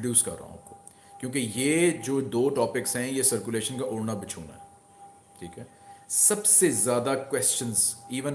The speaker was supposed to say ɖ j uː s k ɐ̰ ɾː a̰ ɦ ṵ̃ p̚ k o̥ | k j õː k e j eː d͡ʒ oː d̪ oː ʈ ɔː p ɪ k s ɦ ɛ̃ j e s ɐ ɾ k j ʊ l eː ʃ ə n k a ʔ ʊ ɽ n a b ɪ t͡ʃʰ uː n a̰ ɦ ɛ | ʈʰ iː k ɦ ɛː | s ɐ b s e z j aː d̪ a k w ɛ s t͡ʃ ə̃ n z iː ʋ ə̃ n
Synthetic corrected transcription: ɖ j uː s k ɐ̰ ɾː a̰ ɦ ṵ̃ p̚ k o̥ | k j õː k e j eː d͡ʒ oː d̪ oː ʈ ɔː p ɪ k s ɦ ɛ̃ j e s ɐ ɾ k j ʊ l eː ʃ ə n k a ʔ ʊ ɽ n a b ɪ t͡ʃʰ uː n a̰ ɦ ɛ | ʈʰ iː k ɦ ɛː | s ɐ b s e z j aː d̪ a k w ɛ s t͡ʃ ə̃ n z iː ʋ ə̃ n

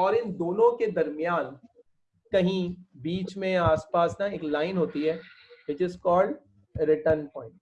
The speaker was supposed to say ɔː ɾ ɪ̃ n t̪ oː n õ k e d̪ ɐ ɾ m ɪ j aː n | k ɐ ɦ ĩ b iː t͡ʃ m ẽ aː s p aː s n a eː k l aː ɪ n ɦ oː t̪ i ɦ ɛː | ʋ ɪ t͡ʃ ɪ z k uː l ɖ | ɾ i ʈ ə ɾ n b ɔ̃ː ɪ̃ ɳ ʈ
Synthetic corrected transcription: ɔː ɾ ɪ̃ n d̪ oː n õ k e d̪ ɐ ɾ m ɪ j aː n | k ɐ ɦ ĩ b iː t͡ʃ m ẽ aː s p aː s n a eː k l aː ɪ n ɦ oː t̪ i ɦ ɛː | ʋ ɪ t͡ʃ ɪ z k ɔː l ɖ | ɾ ɪ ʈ ə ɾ n p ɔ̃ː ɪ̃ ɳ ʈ

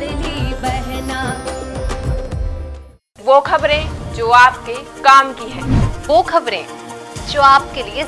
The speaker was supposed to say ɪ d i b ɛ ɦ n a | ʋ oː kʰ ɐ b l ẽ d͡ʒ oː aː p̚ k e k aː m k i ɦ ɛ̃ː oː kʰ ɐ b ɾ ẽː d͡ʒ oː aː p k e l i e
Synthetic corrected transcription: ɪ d i b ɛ ɦ n a | ʋ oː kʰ ɐ b ɾ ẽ d͡ʒ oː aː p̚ k e k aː m k i ɦ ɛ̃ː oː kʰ ɐ b ɾ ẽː d͡ʒ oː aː p k e l i e

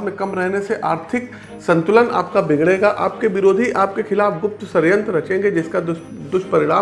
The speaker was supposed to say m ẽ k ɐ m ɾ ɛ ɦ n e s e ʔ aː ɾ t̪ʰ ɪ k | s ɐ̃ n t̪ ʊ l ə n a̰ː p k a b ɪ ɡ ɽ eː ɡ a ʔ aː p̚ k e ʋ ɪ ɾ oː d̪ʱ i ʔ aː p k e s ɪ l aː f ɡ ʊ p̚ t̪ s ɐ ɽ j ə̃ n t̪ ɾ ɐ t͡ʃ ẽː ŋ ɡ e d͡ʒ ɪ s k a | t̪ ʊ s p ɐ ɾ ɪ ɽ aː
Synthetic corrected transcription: m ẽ k ɐ m ɾ ɛ ɦ n e s e ʔ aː ɾ t̪ʰ ɪ k | s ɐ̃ n t̪ ʊ l ə n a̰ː p k a b ɪ ɡ ɽ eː ɡ a ʔ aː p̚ k e ʋ ɪ ɾ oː d̪ʱ i ʔ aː p k e x ɪ l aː f ɡ ʊ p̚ t̪ s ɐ ɾ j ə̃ n t̪ ɾ ɐ t͡ʃ ẽː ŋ ɡ e d͡ʒ ɪ s k a | d̪ ʊ ʃ p ɐ ɾ ɪ ɽ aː

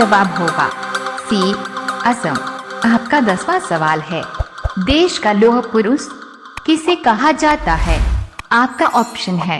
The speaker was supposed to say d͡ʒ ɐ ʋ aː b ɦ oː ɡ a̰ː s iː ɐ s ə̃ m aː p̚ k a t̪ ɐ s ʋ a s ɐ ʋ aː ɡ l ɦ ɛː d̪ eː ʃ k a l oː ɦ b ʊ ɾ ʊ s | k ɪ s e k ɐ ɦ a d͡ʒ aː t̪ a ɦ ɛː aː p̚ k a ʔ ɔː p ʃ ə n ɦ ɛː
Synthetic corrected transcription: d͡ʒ ɐ ʋ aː b ɦ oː ɡ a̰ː s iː ɐ s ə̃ m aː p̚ k a d̪ ɐ s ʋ a s ɐ ʋ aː l ɦ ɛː d̪ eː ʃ k a l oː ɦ p ʊ ɾ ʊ s | k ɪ s e k ɐ ɦ a d͡ʒ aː t̪ a ɦ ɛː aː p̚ k a ʔ ɔː p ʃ ə n ɦ ɛː

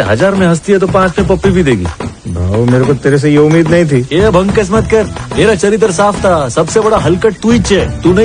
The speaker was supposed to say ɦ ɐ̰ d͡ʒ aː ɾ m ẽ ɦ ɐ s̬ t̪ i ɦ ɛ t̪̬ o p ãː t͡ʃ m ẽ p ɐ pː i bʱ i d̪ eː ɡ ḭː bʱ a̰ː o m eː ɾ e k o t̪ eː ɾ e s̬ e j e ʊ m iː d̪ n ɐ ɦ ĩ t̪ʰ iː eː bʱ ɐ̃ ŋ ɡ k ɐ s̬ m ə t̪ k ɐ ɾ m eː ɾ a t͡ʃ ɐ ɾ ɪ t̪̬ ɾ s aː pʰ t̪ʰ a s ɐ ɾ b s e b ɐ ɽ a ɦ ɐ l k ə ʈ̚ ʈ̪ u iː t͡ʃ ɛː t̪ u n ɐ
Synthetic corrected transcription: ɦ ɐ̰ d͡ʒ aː ɾ m ẽ ɦ ɐ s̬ t̪ i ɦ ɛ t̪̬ o p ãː t͡ʃ m ẽ p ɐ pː i bʱ i d̪ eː ɡ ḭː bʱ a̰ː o m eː ɾ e k o t̪ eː ɾ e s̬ e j e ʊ m iː d̪ n ɐ ɦ ĩ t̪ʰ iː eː bʱ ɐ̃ ŋ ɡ k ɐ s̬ m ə t̪ k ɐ ɾ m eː ɾ a t͡ʃ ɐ ɾ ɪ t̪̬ ɾ s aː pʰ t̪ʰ a s ɐ b s e b ɐ ɽ a ɦ ɐ l k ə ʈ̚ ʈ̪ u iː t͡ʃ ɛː t̪ u n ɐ

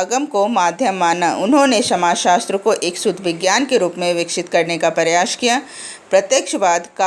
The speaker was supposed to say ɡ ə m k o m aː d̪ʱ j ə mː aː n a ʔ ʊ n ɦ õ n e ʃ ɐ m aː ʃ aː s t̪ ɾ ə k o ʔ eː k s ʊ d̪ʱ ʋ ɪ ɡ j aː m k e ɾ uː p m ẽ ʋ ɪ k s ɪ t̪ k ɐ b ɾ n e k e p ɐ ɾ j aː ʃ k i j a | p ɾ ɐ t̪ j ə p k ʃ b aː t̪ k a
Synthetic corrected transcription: ɡ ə m k o m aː d̪ʱ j ə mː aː n a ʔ ʊ n ɦ õ n e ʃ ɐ m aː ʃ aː s t̪ ɾ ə k o ʔ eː k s ʊ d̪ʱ ʋ ɪ ɡ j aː n k e ɾ uː p m ẽ ʋ ɪ k ʃ ɪ t̪ k ɐ ɾ n e k a p ɐ ɾ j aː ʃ k i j a | p ɾ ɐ t̪ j ə k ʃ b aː d̪ k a

